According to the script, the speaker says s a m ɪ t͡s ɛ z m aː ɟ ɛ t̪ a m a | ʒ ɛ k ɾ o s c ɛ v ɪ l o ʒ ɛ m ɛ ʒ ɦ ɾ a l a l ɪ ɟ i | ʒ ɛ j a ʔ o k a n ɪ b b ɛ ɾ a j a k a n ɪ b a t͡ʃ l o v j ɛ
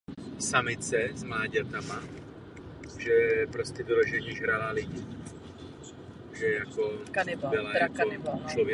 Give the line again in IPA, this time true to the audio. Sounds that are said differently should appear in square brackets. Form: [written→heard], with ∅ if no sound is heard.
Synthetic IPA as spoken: s a m ɪ t͡s ɛ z m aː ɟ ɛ t̪ a m a | ʒ ɛ [k→p] ɾ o s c ɛ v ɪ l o ʒ ɛ [m→ɲ] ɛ ʒ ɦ ɾ a l a l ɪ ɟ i | ʒ ɛ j a [ʔ→k] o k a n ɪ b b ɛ [ɾ→l] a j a k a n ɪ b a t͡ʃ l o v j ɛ

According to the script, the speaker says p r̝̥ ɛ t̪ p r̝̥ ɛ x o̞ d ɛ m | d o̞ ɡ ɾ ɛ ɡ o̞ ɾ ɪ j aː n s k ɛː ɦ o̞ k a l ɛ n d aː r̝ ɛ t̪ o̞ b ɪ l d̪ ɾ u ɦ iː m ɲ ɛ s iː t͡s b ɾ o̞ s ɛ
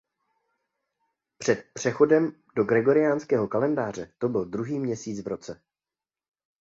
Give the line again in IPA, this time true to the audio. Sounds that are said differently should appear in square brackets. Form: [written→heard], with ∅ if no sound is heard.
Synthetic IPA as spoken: p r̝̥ ɛ t̪ p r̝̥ ɛ x o̞ d ɛ m | d o̞ ɡ ɾ ɛ ɡ o̞ ɾ ɪ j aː n s k ɛː ɦ o̞ k a l ɛ n d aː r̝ ɛ t̪ o̞ b ɪ l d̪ ɾ u ɦ iː m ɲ ɛ s iː t͡s [b→v] ɾ o̞ [s→t͡s] ɛ

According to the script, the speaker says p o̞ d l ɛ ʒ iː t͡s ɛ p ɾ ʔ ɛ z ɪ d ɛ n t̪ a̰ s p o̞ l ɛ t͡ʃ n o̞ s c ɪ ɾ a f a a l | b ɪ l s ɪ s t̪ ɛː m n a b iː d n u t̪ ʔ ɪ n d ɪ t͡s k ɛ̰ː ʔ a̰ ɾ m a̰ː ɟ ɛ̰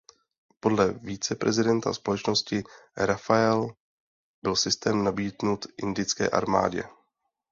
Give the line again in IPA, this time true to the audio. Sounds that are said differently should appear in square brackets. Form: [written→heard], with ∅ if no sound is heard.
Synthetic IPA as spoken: p o̞ d l ɛ [ʒ→v] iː t͡s ɛ p ɾ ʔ ɛ z ɪ d ɛ n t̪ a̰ s p o̞ l ɛ t͡ʃ n o̞ s c ɪ ɾ a f a [a→ɛ] l | b ɪ l s ɪ s t̪ ɛː m n a b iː d n u t̪ ʔ ɪ n d ɪ t͡s k ɛ̰ː ʔ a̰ ɾ m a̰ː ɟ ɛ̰

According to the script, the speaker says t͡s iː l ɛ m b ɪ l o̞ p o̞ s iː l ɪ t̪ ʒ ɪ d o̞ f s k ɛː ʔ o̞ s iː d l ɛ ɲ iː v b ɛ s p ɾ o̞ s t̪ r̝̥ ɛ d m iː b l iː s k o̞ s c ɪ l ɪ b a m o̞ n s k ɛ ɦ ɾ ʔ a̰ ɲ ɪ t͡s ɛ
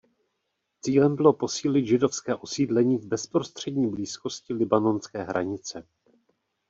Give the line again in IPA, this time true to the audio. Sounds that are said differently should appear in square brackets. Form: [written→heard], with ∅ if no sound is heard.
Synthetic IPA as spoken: t͡s iː l ɛ m b ɪ l o̞ p o̞ s iː l ɪ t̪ ʒ ɪ d o̞ f s k ɛː ʔ o̞ s iː d l ɛ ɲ iː v b ɛ s p ɾ o̞ s t̪ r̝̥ ɛ d [m→ɲ] iː b l iː s k o̞ s c ɪ l ɪ b a [m→n] o̞ n s k [ɛ→ɛː] ɦ ɾ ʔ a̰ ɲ ɪ t͡s ɛ

